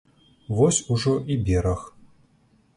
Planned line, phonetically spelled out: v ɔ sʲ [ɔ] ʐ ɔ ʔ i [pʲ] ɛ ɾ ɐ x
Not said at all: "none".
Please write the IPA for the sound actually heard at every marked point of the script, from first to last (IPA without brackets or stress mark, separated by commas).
u, bʲ